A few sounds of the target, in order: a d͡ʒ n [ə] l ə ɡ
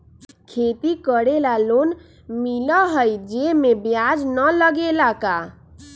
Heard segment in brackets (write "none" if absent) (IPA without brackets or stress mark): ə